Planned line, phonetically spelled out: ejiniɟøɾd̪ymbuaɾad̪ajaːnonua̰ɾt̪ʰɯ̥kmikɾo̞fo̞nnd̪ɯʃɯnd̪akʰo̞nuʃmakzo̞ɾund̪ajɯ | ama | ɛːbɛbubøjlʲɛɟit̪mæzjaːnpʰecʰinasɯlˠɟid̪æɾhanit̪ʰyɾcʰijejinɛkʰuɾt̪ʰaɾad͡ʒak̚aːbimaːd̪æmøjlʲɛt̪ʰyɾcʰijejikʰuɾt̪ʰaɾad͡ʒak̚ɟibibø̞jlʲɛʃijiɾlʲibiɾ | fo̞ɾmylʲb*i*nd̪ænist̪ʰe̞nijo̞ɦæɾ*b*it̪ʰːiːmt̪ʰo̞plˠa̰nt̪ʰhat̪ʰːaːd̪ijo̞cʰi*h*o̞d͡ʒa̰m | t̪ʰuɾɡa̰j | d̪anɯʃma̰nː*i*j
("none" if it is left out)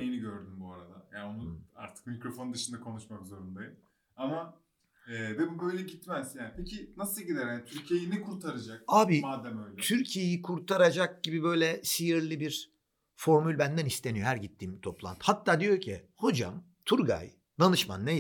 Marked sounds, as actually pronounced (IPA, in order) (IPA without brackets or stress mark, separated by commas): æ, ɟ, h, e